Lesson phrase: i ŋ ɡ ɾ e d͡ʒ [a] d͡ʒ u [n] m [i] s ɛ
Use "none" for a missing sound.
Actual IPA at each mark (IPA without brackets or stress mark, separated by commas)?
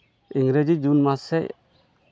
i, n, a